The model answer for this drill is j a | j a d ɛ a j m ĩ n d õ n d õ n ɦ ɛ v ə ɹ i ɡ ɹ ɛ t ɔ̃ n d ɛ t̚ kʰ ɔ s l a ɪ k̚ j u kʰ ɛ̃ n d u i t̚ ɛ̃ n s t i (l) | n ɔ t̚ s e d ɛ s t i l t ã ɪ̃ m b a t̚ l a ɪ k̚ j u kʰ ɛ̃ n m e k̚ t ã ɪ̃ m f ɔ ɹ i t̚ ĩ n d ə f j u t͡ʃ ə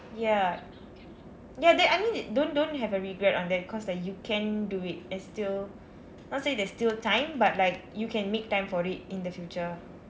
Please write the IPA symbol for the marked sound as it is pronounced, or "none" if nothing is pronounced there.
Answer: l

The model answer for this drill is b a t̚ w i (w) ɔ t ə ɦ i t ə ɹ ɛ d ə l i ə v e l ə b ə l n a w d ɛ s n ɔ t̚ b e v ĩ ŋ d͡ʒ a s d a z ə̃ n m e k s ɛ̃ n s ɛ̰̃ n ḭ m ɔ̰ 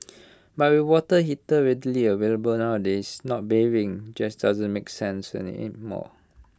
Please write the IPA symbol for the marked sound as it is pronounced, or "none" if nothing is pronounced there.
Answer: w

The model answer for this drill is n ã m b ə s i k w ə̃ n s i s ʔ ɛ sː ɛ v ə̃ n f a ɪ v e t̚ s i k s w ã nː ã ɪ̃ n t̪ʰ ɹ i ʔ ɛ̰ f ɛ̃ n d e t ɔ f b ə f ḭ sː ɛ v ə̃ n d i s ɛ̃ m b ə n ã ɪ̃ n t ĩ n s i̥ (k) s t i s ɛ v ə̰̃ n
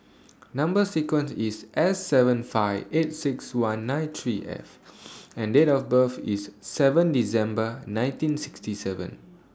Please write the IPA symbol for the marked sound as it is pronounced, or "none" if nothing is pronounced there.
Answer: k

